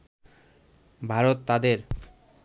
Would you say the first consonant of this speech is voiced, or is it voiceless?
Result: voiced